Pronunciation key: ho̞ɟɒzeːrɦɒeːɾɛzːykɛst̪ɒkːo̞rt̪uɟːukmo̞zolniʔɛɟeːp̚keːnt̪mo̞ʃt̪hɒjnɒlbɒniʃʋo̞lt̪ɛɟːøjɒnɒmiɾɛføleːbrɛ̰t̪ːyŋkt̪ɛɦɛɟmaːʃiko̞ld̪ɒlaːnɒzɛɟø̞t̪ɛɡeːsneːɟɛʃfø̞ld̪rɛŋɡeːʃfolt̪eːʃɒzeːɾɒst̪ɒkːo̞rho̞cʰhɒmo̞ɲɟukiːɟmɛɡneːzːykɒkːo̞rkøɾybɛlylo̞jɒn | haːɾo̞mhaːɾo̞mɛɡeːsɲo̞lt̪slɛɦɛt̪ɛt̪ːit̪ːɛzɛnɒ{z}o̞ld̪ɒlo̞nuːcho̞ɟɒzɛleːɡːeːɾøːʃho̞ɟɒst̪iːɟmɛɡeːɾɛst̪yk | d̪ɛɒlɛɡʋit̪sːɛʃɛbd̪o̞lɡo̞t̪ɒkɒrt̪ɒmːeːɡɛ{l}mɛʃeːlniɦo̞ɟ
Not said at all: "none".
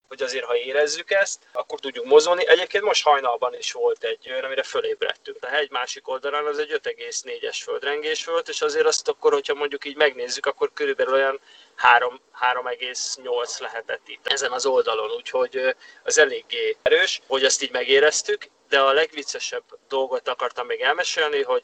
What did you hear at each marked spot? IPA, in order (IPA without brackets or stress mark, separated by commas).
z, l